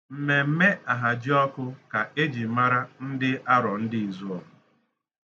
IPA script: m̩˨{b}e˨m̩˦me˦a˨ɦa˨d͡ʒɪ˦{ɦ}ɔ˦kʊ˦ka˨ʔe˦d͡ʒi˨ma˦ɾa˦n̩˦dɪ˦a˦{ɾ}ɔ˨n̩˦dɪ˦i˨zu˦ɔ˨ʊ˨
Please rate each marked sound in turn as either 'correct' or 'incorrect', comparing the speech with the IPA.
incorrect, incorrect, correct

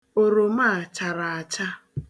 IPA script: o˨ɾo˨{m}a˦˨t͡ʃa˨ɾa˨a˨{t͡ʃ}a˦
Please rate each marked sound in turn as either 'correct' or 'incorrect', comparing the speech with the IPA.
correct, correct

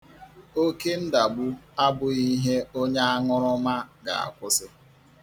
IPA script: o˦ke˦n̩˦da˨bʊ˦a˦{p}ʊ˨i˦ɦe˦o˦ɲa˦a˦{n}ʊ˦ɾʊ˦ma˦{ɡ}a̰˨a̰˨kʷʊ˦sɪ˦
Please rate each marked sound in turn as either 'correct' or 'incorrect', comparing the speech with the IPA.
incorrect, incorrect, correct

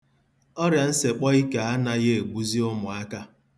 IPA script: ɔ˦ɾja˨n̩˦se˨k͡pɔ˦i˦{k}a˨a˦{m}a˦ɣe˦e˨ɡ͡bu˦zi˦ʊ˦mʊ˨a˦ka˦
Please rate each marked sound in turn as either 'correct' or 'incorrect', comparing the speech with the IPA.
correct, incorrect

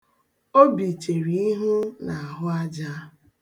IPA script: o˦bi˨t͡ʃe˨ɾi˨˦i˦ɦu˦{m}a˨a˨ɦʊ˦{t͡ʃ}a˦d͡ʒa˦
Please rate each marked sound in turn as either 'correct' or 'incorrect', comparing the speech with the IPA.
incorrect, incorrect

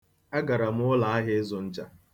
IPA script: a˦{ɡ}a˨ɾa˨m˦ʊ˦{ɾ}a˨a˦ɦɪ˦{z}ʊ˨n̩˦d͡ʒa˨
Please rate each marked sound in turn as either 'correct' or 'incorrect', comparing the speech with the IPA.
correct, incorrect, correct

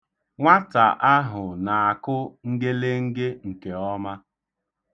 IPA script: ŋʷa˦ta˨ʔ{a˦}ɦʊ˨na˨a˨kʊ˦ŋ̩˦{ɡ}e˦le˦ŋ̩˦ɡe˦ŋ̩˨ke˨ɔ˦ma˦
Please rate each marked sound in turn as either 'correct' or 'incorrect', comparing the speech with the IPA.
correct, correct

